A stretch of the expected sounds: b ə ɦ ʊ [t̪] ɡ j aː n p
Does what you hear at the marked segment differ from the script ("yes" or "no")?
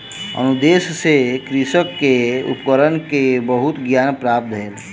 no